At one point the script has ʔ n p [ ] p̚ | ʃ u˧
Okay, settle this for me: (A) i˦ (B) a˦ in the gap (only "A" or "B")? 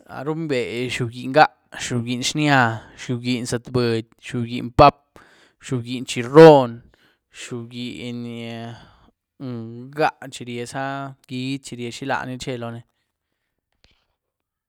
B